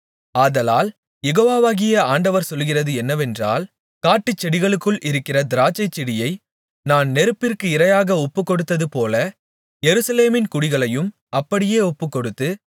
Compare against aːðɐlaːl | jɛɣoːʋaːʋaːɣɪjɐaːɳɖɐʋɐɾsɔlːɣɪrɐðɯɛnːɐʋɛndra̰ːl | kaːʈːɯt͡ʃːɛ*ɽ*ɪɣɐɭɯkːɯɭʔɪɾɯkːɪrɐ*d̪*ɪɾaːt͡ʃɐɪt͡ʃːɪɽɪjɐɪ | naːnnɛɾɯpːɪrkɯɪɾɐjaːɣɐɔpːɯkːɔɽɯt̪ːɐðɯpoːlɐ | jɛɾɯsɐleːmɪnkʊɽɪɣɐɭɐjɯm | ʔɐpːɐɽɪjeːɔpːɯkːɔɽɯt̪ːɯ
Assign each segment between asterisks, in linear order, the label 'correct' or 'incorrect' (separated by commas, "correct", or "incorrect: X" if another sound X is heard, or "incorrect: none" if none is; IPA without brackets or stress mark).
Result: correct, correct